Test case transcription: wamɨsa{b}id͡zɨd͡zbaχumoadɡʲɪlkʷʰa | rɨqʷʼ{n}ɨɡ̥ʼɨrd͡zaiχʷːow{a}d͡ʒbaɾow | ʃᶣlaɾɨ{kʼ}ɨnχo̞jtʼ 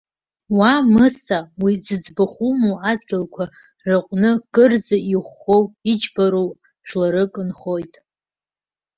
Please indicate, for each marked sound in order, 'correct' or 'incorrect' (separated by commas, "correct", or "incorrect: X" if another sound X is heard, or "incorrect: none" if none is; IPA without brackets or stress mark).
incorrect: w, correct, incorrect: i, correct